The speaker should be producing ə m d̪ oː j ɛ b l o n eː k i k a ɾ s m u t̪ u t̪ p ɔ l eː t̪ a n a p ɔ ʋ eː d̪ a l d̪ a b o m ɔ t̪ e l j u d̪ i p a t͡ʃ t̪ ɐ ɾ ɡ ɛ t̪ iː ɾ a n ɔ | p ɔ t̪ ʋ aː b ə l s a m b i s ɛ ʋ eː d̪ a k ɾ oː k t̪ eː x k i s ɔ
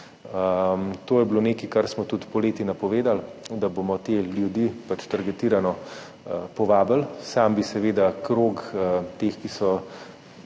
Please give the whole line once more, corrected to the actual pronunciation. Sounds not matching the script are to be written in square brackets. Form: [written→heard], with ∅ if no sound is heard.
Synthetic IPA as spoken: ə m [d̪→t̪] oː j ɛ b l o n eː k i k a ɾ s m [u→ɔ] t̪ u t̪ p ɔ l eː t̪ [a→i] n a p ɔ ʋ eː d̪ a l d̪ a b o m ɔ t̪ e l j u d̪ i p a t͡ʃ t̪ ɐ ɾ ɡ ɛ t̪ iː ɾ a n ɔ | p ɔ [t̪→∅] ʋ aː b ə l s a m b i s ɛ ʋ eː d̪ a k ɾ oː k t̪ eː x k i s ɔ